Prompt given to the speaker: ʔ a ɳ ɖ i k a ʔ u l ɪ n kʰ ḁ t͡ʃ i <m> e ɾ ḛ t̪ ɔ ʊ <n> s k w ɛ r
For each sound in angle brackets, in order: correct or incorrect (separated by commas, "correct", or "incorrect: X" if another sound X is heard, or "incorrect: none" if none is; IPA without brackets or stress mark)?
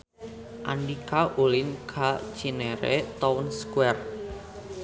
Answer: incorrect: n, correct